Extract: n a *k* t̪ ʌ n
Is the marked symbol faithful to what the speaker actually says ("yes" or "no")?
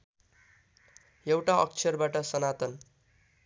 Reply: no